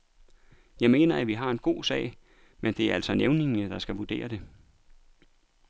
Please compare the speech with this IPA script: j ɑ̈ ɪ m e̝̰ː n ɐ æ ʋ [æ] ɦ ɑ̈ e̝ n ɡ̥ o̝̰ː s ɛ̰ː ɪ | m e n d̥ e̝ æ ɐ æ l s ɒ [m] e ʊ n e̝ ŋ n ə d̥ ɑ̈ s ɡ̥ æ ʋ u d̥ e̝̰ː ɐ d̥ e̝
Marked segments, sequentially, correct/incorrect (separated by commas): incorrect, incorrect